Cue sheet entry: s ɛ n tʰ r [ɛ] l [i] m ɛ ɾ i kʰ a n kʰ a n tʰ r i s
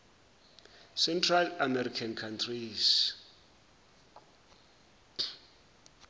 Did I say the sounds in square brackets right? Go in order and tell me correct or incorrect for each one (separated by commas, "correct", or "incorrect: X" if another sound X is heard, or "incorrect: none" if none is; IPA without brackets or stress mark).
incorrect: a, incorrect: a